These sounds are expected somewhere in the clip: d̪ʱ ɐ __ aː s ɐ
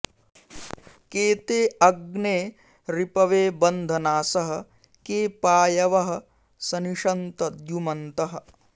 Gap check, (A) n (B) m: A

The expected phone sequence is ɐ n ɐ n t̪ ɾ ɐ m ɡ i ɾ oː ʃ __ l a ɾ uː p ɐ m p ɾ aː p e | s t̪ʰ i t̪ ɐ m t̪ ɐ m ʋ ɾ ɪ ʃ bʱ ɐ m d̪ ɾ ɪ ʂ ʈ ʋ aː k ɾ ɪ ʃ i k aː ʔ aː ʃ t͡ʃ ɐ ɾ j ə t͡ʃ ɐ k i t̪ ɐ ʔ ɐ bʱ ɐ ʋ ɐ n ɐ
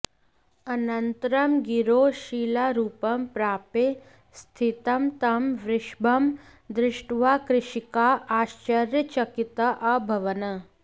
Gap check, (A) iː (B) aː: A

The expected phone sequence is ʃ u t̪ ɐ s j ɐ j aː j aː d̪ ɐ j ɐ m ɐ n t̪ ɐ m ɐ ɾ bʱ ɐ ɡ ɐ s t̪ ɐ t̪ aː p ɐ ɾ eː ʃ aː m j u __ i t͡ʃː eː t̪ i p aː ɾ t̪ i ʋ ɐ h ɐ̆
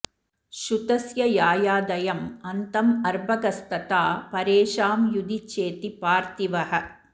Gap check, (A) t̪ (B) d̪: B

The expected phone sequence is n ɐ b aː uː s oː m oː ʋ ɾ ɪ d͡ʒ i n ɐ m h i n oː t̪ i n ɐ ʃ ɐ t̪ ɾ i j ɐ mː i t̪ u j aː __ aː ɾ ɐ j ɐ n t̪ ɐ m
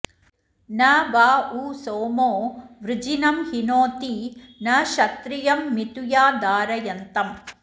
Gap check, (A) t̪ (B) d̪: B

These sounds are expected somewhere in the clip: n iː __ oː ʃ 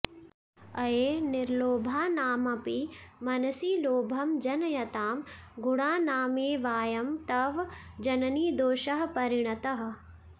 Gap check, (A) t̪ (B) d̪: B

